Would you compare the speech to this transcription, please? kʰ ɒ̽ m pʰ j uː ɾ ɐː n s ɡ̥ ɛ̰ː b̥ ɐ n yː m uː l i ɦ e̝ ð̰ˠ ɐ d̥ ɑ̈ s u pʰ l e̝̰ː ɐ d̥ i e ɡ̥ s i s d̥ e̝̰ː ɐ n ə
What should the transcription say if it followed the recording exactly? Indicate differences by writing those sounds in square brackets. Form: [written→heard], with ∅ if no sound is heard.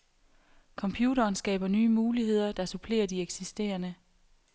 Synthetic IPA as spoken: kʰ ɒ̽ m pʰ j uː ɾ ɐː n s ɡ̥ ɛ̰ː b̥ ɐ n yː m uː l i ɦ e̝ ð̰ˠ ɐ d̥ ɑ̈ s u pʰ l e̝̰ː ɐ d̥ i e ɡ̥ s i s d̥ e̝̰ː ɐ n ə